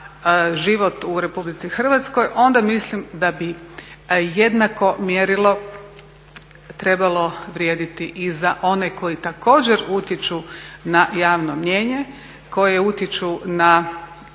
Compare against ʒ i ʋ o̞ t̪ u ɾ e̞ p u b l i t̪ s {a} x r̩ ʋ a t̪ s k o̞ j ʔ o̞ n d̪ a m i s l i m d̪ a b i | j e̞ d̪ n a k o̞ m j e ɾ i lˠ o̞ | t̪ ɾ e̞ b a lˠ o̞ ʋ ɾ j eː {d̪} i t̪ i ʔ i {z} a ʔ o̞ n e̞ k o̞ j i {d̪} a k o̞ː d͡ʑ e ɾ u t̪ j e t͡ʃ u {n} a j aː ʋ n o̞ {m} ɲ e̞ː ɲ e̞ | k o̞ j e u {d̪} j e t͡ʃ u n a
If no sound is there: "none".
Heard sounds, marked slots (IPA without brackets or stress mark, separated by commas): i, d̪, z, t̪, n, m, t̪